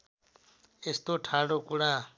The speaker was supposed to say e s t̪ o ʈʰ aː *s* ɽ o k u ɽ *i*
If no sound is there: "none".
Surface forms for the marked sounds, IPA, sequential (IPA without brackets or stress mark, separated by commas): none, a